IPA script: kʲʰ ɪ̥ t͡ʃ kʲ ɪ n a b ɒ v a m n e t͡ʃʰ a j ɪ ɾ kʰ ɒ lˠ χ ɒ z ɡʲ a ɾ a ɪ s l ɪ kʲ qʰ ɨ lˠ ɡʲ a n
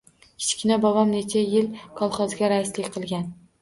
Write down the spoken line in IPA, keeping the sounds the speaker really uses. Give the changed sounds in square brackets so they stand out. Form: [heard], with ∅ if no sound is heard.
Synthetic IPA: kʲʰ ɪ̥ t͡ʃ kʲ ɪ n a b ɒ v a m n e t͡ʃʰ a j ɪ [l] kʰ ɒ lˠ χ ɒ z ɡʲ a ɾ a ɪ s l ɪ kʲ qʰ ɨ lˠ ɡʲ a n